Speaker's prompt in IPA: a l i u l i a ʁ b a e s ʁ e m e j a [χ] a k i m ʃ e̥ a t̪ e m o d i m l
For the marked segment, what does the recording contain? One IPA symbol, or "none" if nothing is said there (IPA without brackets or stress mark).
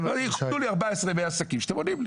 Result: s